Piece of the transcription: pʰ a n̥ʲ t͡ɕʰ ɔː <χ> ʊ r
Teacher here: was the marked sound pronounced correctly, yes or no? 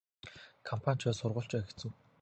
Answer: no